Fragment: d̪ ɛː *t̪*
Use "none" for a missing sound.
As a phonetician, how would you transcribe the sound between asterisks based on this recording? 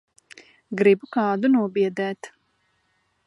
t̪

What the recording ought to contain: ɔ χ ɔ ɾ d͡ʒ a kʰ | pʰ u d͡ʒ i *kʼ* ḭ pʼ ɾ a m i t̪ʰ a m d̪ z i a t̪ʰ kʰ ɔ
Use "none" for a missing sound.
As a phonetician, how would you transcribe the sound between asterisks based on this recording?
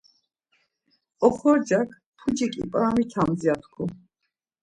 kʼ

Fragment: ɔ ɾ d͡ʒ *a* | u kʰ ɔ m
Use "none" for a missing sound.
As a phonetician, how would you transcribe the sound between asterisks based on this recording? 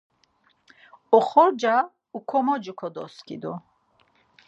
a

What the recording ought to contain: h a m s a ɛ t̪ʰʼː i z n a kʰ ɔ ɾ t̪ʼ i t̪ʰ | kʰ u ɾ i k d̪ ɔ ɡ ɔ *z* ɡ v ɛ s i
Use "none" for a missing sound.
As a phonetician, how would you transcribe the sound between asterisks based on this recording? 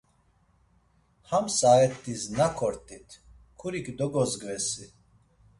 z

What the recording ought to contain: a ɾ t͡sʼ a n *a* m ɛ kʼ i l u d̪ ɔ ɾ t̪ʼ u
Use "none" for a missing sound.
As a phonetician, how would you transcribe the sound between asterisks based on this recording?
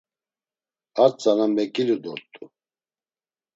a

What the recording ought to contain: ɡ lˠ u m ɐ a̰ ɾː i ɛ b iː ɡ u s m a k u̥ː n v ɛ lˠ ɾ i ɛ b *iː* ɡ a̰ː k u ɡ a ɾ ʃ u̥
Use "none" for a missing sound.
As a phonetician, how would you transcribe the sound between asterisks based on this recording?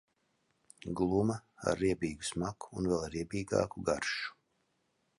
iː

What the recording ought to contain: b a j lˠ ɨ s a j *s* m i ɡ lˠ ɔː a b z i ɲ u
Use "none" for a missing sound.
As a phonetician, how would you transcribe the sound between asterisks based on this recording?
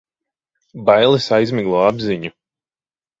z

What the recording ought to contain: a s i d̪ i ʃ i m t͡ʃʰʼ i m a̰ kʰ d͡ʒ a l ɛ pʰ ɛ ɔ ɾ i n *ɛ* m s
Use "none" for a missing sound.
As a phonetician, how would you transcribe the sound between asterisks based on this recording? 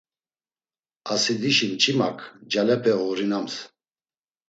a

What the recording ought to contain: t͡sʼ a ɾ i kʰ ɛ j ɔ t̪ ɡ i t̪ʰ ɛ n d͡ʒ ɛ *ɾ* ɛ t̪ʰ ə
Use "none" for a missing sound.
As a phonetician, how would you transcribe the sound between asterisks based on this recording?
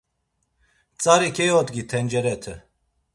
ɾ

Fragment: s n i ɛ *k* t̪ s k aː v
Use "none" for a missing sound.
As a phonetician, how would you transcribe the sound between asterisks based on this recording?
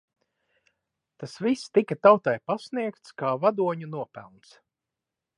k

